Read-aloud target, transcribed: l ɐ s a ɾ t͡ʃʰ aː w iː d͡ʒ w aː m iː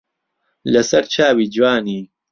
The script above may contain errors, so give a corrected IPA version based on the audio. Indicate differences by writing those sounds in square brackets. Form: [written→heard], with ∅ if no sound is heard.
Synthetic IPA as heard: l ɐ s [a→ɐ] ɾ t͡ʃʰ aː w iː d͡ʒ w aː [m→n] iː